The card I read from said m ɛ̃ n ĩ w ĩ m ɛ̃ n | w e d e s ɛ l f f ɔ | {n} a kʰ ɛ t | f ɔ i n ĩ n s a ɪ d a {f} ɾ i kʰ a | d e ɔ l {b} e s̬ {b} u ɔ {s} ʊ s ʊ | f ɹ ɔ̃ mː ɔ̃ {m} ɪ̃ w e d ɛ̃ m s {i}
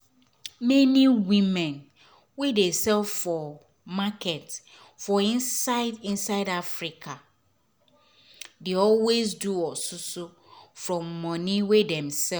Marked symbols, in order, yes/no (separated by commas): no, yes, no, no, yes, no, no